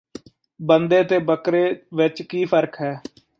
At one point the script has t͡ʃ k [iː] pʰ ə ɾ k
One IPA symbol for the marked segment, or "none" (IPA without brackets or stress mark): iː